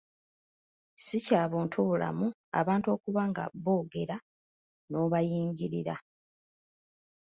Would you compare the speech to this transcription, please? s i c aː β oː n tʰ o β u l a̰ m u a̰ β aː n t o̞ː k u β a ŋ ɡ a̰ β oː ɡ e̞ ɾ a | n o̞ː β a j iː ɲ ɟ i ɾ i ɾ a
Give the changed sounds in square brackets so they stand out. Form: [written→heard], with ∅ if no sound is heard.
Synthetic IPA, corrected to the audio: s i c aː β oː n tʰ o β u l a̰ m u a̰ β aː n t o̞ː k u β a ŋ ɡ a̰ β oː ɡ e̞ ɾ a | n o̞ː β a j iː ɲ ɟ i ɾ i ɾ a

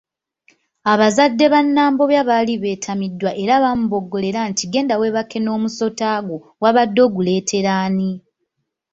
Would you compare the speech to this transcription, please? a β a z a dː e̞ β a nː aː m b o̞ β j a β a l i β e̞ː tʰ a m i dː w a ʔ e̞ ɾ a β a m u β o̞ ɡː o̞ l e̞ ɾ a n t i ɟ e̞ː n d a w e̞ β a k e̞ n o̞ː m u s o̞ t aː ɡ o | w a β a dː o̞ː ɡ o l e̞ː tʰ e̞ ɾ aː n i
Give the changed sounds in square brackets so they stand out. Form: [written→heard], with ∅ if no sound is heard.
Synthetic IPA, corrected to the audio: a β a z a dː e̞ β a nː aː m b o̞ β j a β a l i β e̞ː tʰ a m i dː w a ʔ e̞ ɾ a β a m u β o̞ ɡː o̞ l e̞ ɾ a n t i [ɟ→ɡ] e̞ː n d a w e̞ β a k e̞ n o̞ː m u s o̞ t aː ɡ o | w a β a dː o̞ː ɡ [o→u] l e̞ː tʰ e̞ ɾ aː n i

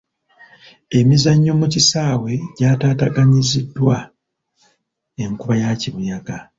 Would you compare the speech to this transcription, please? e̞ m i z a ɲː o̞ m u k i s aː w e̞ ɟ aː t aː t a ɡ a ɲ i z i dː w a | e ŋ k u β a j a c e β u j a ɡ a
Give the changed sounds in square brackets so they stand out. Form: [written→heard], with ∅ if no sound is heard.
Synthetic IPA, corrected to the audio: e̞ m i z a ɲː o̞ m u [k→c] i s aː w e̞ ɟ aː t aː t a ɡ a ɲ i z i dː w a | e ŋ k u β a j a c [e→i] β u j a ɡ a

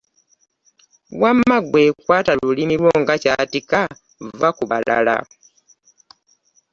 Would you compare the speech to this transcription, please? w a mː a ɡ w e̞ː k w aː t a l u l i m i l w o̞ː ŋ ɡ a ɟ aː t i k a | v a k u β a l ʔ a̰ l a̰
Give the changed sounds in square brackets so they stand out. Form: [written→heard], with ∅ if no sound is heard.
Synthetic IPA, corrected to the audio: w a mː a ɡ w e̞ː k w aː t a l u l i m i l w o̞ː ŋ ɡ a [ɟ→c] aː t i k a | v a k u β a l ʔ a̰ l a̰

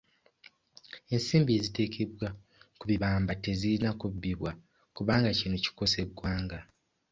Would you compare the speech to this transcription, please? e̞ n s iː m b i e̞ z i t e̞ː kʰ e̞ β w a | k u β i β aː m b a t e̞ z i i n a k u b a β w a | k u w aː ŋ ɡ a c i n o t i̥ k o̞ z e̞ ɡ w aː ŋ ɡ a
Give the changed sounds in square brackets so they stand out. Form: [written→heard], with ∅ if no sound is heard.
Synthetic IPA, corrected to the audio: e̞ n s iː m b i e̞ z i t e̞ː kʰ e̞ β w a | k u β i β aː m b a t e̞ z i i n a k u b [a→i] β w a | k u [w→β] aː ŋ ɡ a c i n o [t→c] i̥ k o̞ [z→s] e̞ ɡ w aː ŋ ɡ a

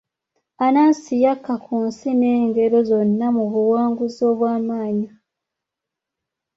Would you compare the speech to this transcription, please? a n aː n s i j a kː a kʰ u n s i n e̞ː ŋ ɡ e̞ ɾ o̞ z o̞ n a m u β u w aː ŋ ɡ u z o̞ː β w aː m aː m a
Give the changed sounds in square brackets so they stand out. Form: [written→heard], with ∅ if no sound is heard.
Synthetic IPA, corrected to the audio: a n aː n s i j a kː a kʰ u n s i n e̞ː ŋ ɡ e̞ ɾ o̞ z o̞ [n→nː] a m u β u w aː ŋ ɡ u z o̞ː β w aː m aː [m→ɲ] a

